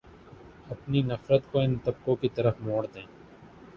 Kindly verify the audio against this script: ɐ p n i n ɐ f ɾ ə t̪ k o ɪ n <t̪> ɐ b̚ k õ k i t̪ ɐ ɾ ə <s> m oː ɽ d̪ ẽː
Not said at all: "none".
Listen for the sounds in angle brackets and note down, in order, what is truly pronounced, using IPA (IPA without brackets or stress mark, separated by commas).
t̪, f